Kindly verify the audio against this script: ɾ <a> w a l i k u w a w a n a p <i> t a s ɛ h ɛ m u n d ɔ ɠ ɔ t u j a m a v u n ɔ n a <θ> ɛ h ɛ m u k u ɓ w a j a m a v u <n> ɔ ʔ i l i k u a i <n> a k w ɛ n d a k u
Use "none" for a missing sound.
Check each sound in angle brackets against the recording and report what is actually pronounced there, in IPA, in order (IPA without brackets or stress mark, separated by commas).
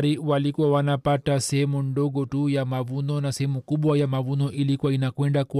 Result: i, a, s, n, n